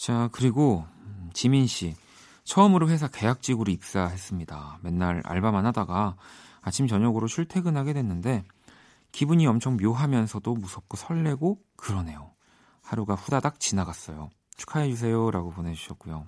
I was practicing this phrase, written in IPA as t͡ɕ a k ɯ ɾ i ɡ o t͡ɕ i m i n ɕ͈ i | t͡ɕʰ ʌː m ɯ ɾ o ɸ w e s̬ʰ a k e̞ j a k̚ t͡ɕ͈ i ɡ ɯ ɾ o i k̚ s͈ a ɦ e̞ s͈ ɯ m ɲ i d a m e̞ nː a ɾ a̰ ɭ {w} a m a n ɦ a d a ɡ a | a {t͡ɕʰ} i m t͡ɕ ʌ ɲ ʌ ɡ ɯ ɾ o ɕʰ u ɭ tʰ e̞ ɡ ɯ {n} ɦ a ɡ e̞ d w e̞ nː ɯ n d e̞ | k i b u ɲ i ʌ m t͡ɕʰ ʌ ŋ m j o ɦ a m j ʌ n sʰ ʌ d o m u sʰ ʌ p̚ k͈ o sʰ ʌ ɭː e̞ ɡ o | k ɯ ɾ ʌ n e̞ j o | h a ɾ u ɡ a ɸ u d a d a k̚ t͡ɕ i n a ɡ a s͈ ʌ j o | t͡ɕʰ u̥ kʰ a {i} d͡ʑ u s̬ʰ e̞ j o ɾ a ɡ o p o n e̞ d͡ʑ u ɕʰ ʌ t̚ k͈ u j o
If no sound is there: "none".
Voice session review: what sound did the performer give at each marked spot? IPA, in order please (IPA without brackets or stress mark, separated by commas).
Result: b, t͡ɕʰ, n, e